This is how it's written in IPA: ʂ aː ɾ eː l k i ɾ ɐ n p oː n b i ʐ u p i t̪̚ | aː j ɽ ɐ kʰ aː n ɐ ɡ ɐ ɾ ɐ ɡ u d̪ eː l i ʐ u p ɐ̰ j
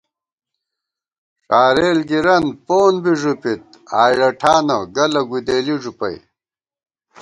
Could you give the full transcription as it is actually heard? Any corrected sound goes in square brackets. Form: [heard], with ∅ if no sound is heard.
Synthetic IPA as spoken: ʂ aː ɾ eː l [ɡ] i ɾ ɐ n p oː n b i ʐ u p i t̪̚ | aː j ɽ ɐ [ʈʰ] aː n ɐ ɡ ɐ [l] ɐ ɡ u d̪ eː l i ʐ u p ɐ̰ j